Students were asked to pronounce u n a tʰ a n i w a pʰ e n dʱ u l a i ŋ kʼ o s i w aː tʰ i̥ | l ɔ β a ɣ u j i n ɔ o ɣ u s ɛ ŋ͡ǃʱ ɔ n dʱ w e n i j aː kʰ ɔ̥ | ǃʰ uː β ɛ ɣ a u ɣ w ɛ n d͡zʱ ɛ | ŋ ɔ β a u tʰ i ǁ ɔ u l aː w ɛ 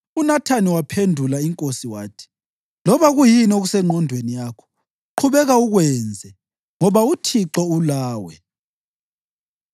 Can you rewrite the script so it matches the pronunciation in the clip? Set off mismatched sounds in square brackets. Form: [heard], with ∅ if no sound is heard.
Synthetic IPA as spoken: u n a tʰ a n i w a pʰ e n dʱ u l a i ŋ kʼ o s i w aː tʰ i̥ | l ɔ β a ɣ u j i n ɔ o ɣ u s ɛ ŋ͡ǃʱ ɔ n dʱ w e n i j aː kʰ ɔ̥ | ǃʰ [u] β ɛ ɣ a u ɣ w ɛ n d͡zʱ ɛ | ŋ ɔ β a u tʰ i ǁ ɔ u l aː w ɛ

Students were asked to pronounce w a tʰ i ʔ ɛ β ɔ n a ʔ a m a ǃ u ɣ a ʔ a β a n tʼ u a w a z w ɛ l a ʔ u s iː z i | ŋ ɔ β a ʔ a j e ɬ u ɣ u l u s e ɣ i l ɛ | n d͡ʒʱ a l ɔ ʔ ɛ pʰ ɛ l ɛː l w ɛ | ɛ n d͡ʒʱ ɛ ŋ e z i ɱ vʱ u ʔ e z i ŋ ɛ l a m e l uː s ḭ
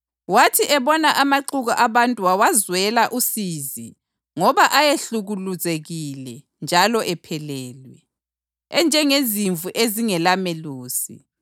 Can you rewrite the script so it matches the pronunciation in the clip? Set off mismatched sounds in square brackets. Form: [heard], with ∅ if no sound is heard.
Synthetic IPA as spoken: w a tʰ i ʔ ɛ β ɔ n a ʔ a m a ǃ u ɣ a ʔ a β a n tʼ u a w a z w ɛ l a ʔ u s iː z i | ŋ ɔ β a ʔ a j e ɬ u ɣ u l u [z] e ɣ i l ɛ | n d͡ʒʱ a l ɔ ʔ ɛ pʰ ɛ l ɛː l w ɛ | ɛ n d͡ʒʱ ɛ ŋ e z i ɱ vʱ u ʔ e z i ŋ ɛ l a m e l uː s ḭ

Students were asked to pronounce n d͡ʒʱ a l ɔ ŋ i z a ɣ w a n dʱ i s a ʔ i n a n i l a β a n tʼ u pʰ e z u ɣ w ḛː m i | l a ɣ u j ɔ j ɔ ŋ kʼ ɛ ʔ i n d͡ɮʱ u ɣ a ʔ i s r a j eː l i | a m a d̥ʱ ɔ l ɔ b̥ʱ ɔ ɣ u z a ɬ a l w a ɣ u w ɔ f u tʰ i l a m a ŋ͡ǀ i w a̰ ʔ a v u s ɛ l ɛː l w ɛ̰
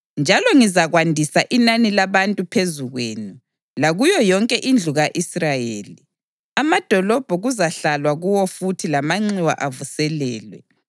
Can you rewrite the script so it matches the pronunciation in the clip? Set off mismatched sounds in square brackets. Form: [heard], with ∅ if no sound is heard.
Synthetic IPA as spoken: n d͡ʒʱ a l ɔ ŋ i z a ɣ w a n dʱ i s a ʔ i n a n i l a β a n tʼ u pʰ e z u ɣ w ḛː [n] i | l a ɣ u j ɔ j ɔ ŋ kʼ ɛ ʔ i n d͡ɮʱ u ɣ a ʔ i s r a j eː l i | a m a d̥ʱ ɔ l ɔ b̥ʱ ɔ ɣ u z a ɬ a l w a ɣ u w ɔ f u tʰ i l a m a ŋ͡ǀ i w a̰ ʔ a v u s ɛ l ɛː l w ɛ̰

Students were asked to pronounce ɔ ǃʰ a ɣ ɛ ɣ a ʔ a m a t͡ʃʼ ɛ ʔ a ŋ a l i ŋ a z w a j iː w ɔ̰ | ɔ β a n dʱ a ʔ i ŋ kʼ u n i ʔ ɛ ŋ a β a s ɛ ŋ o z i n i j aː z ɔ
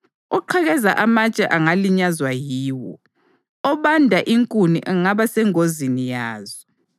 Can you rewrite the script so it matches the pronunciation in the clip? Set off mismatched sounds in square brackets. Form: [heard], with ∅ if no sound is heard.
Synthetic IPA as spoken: ɔ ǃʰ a ɣ ɛ [z] a ʔ a m a t͡ʃʼ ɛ ʔ a ŋ a l i [ɲ] a z w a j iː w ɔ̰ | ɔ β a n dʱ a ʔ i ŋ kʼ u n i ʔ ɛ ŋ a β a s ɛ ŋ o z i n i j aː z ɔ

